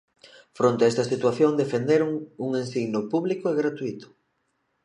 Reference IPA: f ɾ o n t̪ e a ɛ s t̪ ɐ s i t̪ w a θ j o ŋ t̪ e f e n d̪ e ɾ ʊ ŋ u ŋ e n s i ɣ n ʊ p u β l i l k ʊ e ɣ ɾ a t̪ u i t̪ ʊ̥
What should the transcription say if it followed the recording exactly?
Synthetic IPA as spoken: f ɾ o n t̪ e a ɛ s t̪ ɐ s i t̪ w a θ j o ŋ d̪ e f e n d̪ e ɾ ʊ ŋ u ŋ e n s i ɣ n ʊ p u β l i k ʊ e ɣ ɾ a t̪ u i t̪ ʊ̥